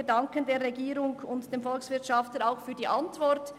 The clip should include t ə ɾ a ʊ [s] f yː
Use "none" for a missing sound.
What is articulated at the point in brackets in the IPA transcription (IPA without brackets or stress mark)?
x